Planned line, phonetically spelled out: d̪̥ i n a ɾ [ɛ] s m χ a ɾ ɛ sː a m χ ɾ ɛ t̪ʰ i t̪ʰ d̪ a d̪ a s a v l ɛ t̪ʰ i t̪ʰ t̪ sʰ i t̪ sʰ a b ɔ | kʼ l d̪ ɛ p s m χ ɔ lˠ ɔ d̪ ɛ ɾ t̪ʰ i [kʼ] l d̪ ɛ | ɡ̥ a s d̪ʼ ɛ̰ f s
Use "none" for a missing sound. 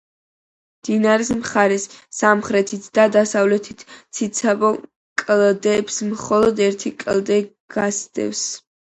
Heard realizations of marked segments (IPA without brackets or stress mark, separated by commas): i, kʼ